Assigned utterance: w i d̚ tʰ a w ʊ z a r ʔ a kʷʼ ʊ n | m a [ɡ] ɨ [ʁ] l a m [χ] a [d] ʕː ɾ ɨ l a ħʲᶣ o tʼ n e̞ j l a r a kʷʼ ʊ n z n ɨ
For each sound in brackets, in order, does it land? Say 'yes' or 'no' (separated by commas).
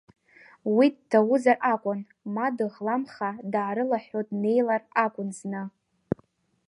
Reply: no, yes, yes, yes